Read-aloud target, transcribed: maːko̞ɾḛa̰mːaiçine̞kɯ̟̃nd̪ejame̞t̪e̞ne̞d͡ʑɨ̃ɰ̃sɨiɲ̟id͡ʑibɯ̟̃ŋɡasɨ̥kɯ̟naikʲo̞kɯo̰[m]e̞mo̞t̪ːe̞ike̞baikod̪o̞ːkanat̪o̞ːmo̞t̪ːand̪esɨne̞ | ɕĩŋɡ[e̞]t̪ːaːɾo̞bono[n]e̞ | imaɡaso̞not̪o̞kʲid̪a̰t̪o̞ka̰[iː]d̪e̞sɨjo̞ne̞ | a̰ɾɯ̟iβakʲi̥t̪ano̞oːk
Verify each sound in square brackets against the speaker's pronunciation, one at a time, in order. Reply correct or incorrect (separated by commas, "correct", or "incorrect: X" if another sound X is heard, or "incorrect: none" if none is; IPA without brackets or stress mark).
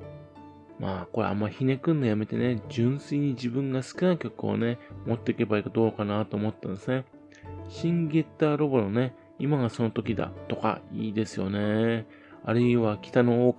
incorrect: n, correct, correct, correct